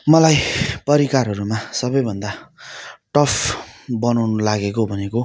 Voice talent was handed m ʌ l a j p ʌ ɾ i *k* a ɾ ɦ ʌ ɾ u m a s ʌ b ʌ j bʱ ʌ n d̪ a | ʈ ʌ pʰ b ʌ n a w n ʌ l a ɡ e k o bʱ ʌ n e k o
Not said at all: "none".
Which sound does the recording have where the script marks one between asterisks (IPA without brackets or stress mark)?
k